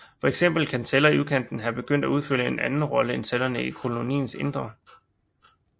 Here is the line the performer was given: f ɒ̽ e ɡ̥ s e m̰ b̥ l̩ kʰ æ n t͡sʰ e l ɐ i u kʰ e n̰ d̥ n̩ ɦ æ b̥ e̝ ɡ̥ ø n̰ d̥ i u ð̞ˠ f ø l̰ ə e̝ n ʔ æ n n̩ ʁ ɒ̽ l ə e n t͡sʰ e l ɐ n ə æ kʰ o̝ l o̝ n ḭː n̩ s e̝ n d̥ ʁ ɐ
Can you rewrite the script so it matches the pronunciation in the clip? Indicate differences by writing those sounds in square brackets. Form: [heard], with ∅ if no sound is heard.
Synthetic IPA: f ɒ̽ e ɡ̥ s e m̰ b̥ l̩ kʰ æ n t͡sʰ e l ɐ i u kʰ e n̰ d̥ n̩ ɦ æ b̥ e̝ ɡ̥ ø n̰ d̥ [æ] u ð̞ˠ f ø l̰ ə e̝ n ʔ æ n n̩ ʁ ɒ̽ l ə e n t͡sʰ e l ɐ n ə [i] kʰ o̝ l o̝ n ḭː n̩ s e̝ n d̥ ʁ ɐ